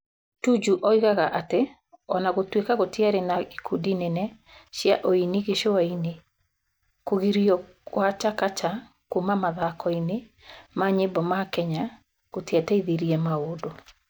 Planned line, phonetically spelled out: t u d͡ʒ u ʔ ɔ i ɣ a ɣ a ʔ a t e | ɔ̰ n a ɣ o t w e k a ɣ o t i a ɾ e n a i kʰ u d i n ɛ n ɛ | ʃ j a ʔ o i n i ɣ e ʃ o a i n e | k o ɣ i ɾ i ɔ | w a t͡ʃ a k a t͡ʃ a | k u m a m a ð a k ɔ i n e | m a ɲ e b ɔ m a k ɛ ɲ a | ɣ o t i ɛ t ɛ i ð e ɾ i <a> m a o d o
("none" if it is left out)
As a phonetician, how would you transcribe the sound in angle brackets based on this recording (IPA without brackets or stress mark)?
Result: ɛ